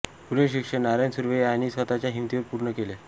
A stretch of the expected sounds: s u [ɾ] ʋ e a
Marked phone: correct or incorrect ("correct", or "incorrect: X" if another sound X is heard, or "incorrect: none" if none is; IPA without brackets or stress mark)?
correct